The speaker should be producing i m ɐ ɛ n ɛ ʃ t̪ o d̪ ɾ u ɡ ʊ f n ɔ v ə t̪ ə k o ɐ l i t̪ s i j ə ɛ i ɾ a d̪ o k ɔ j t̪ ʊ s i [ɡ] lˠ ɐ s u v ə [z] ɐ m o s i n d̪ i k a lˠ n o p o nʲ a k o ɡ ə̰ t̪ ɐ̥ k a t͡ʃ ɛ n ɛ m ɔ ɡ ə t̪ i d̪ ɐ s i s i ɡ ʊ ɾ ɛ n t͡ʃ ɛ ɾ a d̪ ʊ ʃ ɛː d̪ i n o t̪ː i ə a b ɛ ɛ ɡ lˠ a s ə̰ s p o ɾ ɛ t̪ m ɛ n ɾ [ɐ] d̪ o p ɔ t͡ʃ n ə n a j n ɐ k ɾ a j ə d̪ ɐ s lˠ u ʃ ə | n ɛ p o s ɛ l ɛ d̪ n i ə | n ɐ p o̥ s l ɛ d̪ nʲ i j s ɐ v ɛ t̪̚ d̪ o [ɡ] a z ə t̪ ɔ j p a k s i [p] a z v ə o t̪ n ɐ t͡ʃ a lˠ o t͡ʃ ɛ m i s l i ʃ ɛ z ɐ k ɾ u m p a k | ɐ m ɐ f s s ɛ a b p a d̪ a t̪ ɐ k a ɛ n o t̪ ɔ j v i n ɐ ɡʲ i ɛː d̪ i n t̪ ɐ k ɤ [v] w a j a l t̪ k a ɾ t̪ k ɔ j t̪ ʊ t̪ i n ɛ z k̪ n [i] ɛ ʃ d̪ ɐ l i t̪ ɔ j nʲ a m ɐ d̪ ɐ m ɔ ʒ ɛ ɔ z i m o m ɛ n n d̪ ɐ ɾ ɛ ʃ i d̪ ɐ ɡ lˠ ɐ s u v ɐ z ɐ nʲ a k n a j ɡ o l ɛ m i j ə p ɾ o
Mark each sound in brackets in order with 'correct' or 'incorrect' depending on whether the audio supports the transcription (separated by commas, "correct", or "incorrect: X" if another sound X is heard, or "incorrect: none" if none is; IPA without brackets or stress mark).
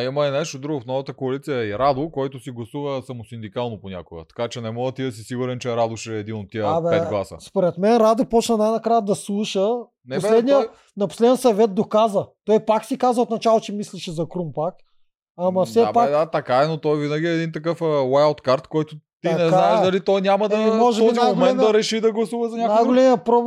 correct, incorrect: s, incorrect: a, incorrect: k, incorrect: k, incorrect: f, incorrect: a